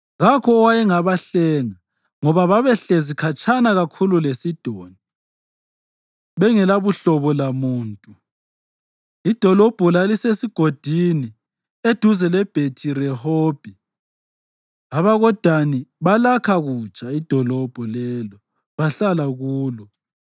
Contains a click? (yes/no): no